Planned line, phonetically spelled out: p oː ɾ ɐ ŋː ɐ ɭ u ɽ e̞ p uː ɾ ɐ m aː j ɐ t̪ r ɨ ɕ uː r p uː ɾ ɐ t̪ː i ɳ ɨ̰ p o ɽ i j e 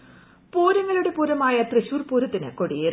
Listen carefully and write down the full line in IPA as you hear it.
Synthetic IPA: p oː ɾ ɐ ŋː ɐ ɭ u ɽ e̞ p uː ɾ ɐ m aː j ɐ t̪ r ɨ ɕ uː r p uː ɾ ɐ t̪ː i n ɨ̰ k o ɽ i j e